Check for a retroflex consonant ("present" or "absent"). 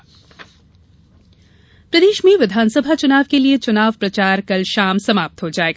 absent